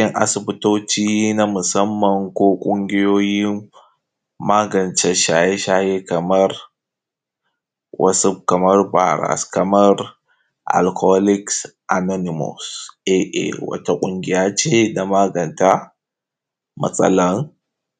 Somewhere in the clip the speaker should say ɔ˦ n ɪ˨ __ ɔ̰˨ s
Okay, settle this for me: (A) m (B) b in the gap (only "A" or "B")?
A